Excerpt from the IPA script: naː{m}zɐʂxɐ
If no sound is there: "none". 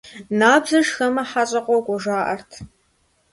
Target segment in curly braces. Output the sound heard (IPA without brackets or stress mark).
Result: b